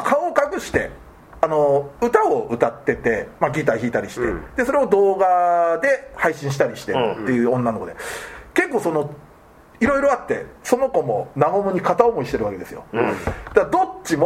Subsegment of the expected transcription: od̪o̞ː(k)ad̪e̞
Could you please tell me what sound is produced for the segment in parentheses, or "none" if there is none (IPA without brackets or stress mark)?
ɡ